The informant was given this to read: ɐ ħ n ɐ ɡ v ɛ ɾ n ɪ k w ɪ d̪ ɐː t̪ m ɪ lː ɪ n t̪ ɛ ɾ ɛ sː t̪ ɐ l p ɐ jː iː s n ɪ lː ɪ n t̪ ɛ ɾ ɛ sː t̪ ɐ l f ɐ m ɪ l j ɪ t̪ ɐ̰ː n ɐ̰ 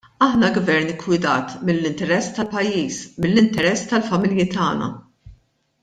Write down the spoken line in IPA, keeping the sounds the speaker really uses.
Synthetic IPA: ɐ ħ n ɐ ɡ v ɛ ɾ n ɪ k w ɪ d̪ ɐː t̪ m ɪ lː ɪ n t̪ ɛ ɾ ɛ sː t̪ ɐ l p ɐ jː iː s m ɪ lː ɪ n t̪ ɛ ɾ ɛ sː t̪ ɐ l f ɐ m ɪ l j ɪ t̪ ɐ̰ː n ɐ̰